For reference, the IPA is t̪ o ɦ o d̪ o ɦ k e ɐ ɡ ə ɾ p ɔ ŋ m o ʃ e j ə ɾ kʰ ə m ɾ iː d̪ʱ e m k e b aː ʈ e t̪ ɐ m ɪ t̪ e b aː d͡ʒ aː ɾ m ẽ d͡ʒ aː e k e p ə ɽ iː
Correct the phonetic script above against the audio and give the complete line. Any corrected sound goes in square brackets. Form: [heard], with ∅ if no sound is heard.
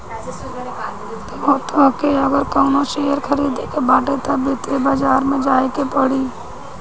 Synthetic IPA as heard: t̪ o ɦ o [t̪] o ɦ k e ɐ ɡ ə ɾ [k] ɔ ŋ [n] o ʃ e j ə ɾ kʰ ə [∅] ɾ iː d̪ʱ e [∅] k e b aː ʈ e t̪ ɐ [b] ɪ t̪ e b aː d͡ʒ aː ɾ m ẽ d͡ʒ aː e k e p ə ɽ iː

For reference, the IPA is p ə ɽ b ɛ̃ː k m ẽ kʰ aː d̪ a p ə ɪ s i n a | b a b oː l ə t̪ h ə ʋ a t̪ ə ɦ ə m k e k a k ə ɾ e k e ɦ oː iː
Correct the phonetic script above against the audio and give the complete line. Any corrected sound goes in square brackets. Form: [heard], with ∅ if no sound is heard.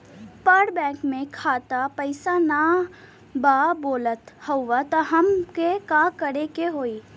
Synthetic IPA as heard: p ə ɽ b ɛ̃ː k m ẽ kʰ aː [t̪] a p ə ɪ s [a] n a | b a b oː l ə t̪ h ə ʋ a t̪ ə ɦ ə m k e k a k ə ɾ e k e ɦ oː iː

